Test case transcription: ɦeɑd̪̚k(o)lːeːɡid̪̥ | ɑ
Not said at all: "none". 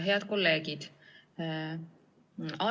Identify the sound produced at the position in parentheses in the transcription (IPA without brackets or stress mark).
o